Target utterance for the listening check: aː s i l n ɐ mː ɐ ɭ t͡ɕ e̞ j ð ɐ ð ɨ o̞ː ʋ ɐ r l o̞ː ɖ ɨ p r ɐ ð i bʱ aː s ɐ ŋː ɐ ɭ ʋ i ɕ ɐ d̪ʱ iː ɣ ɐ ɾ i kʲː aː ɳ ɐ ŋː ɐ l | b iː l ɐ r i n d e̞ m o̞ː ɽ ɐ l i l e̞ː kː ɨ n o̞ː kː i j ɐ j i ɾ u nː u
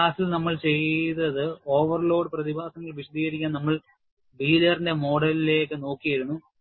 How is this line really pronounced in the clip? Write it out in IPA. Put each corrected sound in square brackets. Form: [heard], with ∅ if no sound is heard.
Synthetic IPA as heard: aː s i l n ɐ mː ɐ ɭ t͡ɕ e̞ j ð ɐ ð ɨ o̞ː ʋ ɐ r l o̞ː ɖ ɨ p r ɐ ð i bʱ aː s ɐ ŋː ɐ ɭ ʋ i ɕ ɐ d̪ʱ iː ɣ ɐ ɾ i kʲː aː [n] ɐ [mː] ɐ [ɭ] | b iː l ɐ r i n d e̞ m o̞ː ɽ ɐ l i l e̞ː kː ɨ n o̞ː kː i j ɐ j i ɾ u nː u